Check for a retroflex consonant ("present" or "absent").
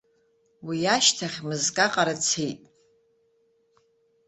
absent